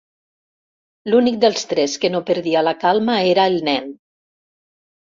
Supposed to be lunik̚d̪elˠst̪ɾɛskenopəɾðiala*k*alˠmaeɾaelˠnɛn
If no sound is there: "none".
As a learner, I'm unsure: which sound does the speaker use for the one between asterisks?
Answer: k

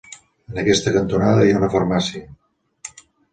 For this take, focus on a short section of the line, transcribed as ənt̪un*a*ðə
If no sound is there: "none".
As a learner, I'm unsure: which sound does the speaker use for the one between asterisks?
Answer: a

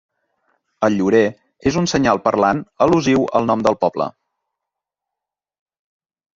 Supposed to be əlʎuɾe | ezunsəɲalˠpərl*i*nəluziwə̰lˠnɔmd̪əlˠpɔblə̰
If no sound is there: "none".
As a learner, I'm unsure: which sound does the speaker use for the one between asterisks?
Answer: a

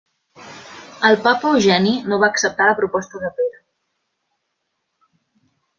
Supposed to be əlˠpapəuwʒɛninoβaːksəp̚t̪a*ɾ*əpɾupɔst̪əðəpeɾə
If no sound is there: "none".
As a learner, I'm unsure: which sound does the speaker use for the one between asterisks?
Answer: l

